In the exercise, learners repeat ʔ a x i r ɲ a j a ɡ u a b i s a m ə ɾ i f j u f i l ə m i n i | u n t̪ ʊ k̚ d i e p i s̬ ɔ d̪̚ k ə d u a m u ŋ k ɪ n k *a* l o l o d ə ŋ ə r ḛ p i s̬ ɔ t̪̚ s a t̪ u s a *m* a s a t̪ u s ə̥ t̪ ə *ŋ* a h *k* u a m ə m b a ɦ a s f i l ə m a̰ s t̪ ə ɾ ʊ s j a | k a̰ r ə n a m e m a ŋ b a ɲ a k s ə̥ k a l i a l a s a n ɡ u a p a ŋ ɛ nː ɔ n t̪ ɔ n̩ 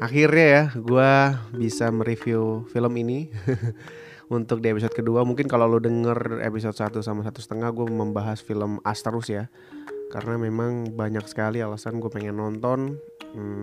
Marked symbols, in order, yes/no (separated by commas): yes, yes, yes, no